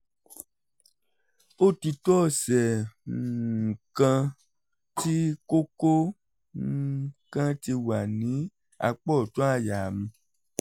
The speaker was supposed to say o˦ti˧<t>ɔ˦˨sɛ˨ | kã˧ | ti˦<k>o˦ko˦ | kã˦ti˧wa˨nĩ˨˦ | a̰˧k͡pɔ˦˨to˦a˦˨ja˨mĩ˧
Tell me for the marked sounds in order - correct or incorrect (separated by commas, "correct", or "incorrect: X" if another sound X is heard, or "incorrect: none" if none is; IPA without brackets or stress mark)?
correct, correct